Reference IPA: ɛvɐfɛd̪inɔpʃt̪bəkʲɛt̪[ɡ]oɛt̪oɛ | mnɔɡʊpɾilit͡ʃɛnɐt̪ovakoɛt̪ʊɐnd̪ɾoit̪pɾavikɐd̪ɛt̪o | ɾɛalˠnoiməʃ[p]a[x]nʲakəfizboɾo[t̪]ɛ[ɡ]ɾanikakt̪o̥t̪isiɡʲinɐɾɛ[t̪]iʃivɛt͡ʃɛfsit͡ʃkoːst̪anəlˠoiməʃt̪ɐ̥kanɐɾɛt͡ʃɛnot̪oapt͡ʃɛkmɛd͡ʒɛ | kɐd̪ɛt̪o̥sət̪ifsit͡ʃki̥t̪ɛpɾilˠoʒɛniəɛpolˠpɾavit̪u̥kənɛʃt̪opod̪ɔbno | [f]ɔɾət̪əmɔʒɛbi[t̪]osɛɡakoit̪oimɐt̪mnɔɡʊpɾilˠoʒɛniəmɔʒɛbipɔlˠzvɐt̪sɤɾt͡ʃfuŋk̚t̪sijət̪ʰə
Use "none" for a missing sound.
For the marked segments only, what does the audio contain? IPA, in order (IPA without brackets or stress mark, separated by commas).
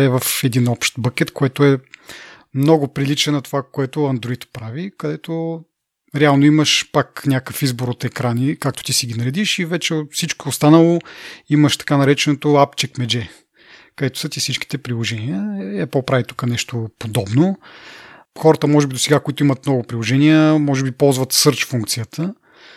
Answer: k, p, k, t̪, k, d̪, x, d̪